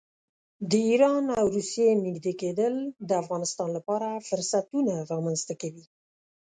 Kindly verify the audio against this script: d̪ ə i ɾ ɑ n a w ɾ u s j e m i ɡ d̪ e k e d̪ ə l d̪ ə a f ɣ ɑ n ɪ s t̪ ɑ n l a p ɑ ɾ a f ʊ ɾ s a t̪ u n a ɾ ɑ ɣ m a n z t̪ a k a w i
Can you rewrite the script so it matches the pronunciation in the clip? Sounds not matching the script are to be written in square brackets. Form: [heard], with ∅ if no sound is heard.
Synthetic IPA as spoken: d̪ ə i ɾ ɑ n a w ɾ u s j e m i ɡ d̪ e k e d̪ ə l d̪ ə a f ɣ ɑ n ɪ s t̪ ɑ n l a p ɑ ɾ a f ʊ ɾ s a t̪ u n a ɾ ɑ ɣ m a n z t̪ a k a w i